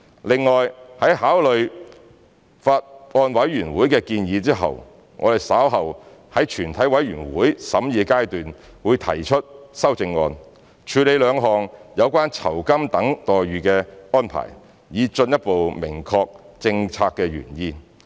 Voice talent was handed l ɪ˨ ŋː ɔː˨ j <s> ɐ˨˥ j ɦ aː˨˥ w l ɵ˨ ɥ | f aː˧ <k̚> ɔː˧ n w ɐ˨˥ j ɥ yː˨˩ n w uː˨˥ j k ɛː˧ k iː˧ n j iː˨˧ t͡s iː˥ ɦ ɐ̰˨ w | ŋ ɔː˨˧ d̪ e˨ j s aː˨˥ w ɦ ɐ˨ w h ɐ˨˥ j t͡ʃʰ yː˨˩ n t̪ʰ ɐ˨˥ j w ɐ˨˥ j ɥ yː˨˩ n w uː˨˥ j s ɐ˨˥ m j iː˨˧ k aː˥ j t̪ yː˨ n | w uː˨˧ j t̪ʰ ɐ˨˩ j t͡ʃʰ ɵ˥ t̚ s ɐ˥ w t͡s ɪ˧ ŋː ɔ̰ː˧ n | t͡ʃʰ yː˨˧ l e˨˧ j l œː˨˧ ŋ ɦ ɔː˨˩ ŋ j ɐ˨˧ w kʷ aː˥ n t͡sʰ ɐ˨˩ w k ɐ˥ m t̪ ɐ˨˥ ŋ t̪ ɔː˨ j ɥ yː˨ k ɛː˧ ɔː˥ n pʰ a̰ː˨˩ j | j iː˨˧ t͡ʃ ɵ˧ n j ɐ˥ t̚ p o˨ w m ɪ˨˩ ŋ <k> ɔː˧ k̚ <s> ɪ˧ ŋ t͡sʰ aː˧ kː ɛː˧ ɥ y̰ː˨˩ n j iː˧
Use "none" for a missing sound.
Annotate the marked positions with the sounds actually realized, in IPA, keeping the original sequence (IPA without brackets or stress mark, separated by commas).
h, t̚, kʰ, t͡s